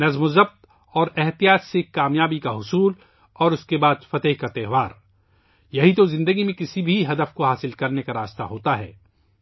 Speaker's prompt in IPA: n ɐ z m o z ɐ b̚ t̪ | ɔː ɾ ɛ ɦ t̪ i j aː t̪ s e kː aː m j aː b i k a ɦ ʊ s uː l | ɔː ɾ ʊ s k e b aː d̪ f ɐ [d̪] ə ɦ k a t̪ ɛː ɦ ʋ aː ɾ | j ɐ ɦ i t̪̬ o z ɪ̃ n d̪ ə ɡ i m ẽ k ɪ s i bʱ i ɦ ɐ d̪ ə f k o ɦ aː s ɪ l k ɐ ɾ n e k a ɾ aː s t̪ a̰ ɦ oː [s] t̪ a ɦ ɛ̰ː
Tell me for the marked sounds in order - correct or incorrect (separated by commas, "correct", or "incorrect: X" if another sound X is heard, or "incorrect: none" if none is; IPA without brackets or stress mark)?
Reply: incorrect: t̪, incorrect: none